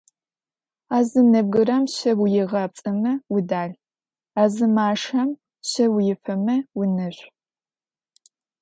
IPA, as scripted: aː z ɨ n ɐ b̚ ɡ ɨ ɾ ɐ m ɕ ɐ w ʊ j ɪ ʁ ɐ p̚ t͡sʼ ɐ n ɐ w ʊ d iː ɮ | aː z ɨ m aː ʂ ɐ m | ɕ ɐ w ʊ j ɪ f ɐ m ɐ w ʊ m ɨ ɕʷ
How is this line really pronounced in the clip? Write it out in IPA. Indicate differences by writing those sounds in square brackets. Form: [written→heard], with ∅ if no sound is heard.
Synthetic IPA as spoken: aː z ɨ n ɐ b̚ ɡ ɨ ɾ ɐ m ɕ ɐ w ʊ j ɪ ʁ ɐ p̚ t͡sʼ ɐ [n→m] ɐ w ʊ d [iː→aː] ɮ | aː z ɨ m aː ʂ ɐ m | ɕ ɐ w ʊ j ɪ f ɐ m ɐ w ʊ [m→n] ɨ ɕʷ